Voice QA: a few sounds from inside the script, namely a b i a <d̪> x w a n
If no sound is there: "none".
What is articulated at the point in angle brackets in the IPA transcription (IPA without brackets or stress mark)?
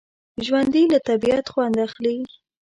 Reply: t̪